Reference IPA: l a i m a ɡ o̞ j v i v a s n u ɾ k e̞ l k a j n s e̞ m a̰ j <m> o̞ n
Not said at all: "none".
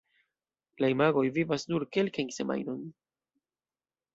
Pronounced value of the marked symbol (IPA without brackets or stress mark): n